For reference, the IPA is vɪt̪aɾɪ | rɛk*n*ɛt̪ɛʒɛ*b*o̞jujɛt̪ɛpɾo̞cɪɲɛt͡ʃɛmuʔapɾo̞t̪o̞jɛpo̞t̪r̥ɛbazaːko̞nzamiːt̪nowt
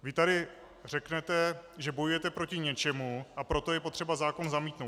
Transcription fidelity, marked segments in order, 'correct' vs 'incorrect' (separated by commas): correct, correct